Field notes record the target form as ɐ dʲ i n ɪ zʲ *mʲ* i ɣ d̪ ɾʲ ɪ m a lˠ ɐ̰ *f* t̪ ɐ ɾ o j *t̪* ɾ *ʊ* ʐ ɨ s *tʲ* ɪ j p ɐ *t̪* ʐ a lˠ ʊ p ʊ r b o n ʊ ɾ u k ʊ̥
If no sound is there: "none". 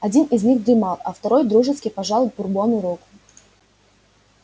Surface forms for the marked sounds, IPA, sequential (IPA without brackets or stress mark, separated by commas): nʲ, f, d̪, u, kʲ, none